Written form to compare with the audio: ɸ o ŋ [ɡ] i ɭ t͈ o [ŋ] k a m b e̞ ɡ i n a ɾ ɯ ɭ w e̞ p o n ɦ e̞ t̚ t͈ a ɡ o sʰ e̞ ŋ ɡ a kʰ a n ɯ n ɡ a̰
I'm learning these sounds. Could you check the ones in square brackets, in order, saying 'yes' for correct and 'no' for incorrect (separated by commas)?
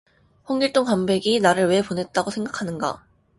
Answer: yes, yes